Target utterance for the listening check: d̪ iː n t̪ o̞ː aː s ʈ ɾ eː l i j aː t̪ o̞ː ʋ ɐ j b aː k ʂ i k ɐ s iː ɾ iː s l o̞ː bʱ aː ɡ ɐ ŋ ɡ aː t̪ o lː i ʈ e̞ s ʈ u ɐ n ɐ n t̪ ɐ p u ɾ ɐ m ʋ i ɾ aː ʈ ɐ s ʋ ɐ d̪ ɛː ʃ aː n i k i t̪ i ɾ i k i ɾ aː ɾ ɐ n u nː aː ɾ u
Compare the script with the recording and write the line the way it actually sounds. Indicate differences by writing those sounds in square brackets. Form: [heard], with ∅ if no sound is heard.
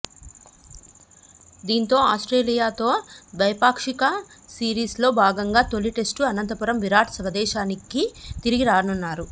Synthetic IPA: d̪ iː n t̪ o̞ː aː s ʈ ɾ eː l i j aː t̪ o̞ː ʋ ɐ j [p] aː k ʂ i k ɐ s iː ɾ iː s l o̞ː bʱ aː ɡ ɐ ŋ ɡ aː t̪ o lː i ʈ e̞ s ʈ u ɐ n ɐ n t̪ ɐ p u ɾ ɐ m ʋ i ɾ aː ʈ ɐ s ʋ ɐ d̪ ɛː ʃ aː n i k i t̪ i ɾ i [ɡ] i ɾ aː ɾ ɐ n u nː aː ɾ u